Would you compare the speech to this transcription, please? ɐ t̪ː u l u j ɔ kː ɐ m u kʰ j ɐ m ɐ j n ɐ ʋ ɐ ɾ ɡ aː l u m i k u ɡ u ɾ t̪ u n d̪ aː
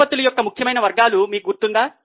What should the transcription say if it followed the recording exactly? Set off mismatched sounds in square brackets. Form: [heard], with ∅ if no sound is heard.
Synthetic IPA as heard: ɐ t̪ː u l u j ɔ kː ɐ m u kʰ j ɐ m ɐ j n ɐ ʋ ɐ ɾ ɡ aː l u m [iː] k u ɡ u ɾ t̪ u n d̪ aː